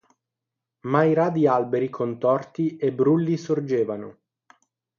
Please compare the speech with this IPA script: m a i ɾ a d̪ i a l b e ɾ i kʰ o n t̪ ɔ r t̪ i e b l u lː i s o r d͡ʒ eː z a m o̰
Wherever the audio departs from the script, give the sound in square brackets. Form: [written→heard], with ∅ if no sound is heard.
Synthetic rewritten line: m a i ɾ a d̪ i a l b e ɾ i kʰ o n t̪ ɔ r t̪ i e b [l→ɾ] u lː i s o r d͡ʒ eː [z→v] a [m→n] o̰